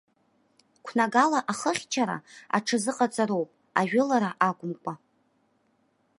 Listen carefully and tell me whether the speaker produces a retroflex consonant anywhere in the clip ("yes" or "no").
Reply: yes